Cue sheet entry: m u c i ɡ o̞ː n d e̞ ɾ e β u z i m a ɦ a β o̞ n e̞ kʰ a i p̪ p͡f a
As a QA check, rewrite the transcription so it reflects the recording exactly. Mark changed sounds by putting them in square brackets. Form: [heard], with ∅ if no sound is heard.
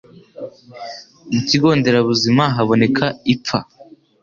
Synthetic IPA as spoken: m u c i ɡ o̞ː n d e̞ ɾ [a] β u z i m a ɦ a β o̞ n e̞ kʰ a i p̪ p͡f a